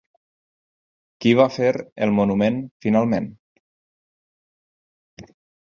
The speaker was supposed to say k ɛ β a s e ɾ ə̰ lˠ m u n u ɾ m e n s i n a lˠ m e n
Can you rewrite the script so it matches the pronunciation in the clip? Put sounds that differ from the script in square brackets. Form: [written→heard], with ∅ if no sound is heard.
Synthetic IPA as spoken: k [ɛ→i] β a [s→f] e ɾ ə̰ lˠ m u n u [ɾ→∅] m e n [s→f] i n a lˠ m e n